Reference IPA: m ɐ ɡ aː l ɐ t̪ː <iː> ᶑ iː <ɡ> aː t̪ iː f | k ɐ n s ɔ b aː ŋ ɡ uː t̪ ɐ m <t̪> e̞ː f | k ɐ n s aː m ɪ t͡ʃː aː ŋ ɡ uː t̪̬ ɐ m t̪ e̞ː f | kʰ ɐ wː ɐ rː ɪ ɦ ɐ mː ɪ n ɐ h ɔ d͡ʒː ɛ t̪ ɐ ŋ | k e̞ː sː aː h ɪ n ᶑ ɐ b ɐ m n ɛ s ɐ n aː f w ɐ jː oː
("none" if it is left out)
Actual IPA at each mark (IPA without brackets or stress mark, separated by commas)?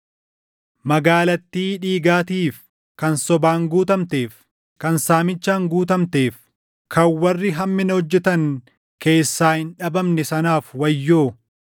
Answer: iː, ɡ, t̪